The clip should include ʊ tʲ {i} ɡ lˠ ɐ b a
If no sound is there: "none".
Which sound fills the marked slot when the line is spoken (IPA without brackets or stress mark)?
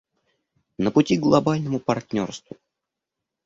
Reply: i